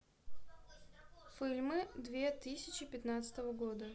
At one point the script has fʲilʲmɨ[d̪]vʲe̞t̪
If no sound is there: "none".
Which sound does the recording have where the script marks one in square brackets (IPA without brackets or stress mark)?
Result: d̪